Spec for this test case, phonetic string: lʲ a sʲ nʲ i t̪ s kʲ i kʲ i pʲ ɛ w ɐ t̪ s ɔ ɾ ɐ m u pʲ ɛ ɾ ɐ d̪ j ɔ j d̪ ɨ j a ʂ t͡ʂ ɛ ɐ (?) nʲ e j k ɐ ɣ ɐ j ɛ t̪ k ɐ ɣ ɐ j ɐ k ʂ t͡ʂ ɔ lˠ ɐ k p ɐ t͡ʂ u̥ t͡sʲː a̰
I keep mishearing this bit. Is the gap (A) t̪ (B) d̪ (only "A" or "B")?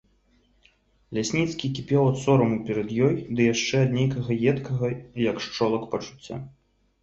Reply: B